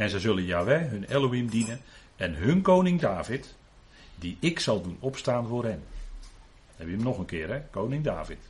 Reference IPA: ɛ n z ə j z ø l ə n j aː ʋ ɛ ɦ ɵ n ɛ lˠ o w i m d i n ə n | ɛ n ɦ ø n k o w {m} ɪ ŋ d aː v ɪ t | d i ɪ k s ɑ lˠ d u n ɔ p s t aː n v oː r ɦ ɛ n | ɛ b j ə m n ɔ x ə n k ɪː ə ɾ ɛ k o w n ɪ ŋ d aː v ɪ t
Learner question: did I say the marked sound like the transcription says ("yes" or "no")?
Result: no